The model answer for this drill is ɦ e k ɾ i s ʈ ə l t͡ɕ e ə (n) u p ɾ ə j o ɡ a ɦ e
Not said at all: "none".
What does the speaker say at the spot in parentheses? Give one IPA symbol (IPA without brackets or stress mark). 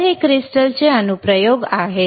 n